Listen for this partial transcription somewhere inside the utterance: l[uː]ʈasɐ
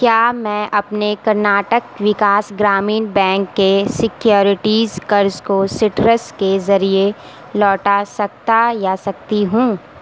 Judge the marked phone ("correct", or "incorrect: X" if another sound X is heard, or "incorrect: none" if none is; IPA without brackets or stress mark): incorrect: ɔː